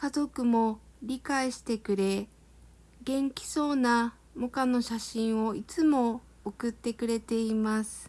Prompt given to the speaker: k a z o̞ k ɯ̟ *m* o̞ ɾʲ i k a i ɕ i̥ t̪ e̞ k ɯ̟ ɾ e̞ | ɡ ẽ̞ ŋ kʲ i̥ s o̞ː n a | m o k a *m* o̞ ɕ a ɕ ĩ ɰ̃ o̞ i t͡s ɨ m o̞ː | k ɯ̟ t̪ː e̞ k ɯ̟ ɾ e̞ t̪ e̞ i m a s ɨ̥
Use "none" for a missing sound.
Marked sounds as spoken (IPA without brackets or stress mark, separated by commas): m, n